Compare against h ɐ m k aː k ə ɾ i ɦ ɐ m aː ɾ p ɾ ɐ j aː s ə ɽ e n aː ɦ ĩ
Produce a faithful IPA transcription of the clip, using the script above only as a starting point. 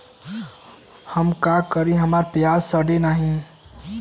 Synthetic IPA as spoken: h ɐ m k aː k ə ɾ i ɦ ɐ m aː ɾ p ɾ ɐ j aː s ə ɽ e n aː ɦ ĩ